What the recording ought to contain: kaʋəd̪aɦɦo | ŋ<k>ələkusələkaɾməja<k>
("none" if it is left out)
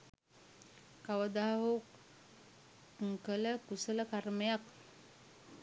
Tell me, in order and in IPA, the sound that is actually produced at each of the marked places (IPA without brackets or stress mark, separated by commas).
k, k